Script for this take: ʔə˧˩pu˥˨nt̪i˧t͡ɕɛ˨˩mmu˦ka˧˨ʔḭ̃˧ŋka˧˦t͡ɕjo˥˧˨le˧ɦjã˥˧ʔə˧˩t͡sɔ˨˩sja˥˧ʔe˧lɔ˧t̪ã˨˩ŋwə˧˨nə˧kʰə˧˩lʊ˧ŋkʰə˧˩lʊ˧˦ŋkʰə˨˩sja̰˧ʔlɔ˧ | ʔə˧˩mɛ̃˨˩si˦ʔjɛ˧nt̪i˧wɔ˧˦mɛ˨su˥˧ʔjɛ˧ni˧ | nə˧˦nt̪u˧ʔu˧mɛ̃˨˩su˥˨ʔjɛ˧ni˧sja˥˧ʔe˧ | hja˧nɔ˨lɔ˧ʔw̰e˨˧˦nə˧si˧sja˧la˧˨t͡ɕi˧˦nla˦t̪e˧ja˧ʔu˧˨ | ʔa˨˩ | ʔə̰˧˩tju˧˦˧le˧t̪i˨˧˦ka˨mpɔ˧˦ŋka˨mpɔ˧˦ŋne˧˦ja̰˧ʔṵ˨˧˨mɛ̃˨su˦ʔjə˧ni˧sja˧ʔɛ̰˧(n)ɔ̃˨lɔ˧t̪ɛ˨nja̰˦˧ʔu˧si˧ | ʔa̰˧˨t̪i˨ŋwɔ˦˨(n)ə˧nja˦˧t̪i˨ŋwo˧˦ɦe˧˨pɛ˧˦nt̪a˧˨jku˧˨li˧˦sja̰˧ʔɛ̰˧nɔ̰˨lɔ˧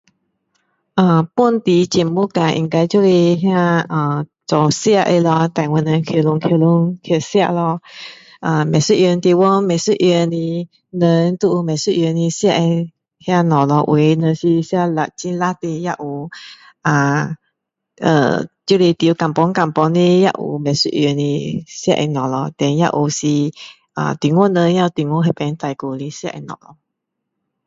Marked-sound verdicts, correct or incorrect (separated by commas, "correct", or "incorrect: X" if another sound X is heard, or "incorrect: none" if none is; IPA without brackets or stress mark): correct, correct